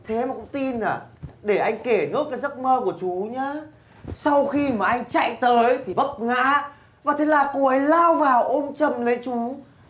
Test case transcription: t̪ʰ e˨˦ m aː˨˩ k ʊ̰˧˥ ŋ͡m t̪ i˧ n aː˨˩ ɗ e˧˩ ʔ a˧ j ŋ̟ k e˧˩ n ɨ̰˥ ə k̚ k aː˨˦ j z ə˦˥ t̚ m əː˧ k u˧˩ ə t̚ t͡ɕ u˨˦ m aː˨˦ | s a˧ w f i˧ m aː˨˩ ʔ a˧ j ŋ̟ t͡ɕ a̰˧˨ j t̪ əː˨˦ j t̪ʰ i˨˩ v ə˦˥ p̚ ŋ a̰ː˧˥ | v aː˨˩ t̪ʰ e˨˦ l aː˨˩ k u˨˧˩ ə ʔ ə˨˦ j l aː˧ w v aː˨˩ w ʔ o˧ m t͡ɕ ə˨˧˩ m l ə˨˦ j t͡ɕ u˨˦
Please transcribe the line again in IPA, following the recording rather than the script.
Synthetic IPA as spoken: t̪ʰ e˨˦ m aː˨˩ k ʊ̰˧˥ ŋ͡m t̪ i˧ n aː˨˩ ɗ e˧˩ ʔ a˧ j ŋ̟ k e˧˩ n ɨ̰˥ ə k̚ k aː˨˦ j z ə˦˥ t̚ m əː˧ k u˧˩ ə t͡ɕ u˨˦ ɲ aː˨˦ | s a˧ w x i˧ m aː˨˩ ʔ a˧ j ŋ̟ t͡ɕ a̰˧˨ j t̪ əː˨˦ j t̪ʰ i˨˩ v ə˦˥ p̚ ŋ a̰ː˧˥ | v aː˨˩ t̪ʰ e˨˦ l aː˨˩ k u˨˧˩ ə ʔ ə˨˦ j l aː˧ w v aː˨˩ w ʔ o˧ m t͡ɕ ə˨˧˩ m l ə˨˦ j t͡ɕ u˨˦